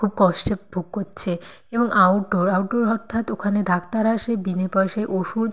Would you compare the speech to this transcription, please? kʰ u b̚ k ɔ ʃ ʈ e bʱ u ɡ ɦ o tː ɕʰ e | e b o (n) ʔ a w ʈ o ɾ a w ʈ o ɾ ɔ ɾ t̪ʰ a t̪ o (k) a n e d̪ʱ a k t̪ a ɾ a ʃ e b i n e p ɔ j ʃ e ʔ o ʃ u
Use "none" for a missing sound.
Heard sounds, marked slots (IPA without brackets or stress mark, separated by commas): ŋ, kʰ